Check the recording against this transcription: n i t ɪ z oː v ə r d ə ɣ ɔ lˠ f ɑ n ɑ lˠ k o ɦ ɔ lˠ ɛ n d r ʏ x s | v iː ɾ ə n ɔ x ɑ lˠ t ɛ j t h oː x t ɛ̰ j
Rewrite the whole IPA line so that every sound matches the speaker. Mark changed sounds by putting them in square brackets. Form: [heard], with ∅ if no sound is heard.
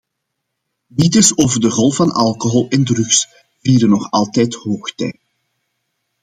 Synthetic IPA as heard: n i t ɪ [s] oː v ə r d ə ɣ ɔ lˠ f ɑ n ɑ lˠ k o ɦ ɔ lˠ ɛ n d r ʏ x s | v iː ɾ ə n ɔ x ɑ lˠ t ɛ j t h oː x t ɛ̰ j